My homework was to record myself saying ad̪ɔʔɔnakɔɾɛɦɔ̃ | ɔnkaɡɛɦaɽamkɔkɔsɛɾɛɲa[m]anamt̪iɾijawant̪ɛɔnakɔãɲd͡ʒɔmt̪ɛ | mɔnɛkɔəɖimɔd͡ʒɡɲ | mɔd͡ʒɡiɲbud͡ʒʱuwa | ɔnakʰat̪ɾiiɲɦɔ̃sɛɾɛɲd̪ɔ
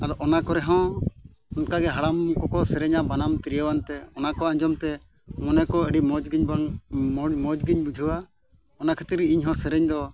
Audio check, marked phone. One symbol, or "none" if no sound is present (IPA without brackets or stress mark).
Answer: b